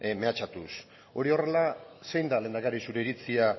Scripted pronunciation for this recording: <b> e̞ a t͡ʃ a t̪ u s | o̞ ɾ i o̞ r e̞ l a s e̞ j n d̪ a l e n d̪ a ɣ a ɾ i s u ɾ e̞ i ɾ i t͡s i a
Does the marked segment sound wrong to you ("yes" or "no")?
yes